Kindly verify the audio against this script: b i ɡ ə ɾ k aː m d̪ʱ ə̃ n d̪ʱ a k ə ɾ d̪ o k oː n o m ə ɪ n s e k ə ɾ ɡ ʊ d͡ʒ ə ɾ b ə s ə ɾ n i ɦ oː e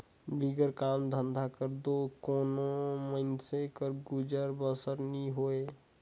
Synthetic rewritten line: b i ɡ ə ɾ k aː m d̪ʱ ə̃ n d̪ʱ a k ə ɾ d̪ o k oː n o m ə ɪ n s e k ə ɾ ɡ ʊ d͡ʒ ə ɾ b ə s ə ɾ n i ɦ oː e